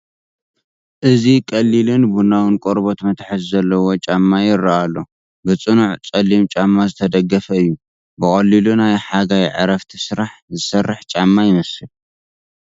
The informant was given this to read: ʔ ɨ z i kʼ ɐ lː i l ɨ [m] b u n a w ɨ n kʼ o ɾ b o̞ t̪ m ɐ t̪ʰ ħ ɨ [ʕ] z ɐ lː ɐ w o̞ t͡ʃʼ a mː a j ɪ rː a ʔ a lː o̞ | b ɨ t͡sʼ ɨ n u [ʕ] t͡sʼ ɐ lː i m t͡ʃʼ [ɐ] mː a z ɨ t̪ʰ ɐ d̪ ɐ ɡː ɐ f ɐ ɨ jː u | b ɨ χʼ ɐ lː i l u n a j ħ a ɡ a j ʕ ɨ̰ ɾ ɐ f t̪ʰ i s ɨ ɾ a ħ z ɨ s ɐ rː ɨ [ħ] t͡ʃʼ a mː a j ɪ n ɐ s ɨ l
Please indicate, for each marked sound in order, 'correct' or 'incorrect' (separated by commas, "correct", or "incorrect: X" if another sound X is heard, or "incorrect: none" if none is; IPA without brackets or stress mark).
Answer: incorrect: n, incorrect: z, correct, incorrect: a, correct